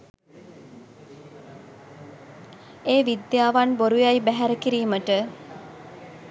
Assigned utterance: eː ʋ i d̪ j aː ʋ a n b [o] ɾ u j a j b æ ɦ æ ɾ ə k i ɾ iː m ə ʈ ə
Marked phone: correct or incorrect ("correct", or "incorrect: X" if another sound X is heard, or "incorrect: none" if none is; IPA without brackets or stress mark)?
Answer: correct